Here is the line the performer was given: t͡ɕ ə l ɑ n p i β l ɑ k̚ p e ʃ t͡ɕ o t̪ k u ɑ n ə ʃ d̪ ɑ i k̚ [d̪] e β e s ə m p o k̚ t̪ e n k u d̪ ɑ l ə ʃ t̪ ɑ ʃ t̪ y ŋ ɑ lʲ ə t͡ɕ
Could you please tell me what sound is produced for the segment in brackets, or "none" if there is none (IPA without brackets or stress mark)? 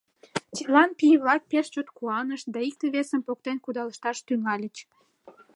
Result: t̪